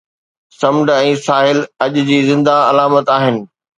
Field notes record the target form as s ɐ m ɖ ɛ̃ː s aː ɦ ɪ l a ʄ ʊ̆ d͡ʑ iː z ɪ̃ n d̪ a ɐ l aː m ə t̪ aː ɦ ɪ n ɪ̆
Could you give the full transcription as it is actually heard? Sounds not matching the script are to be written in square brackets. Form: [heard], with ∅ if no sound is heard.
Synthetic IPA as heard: s ɐ m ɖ ɛ̃ː s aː ɦ ɪ l [ɐ] ʄ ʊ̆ d͡ʑ iː z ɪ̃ n d̪ a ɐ l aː m ə t̪ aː ɦ ɪ n ɪ̆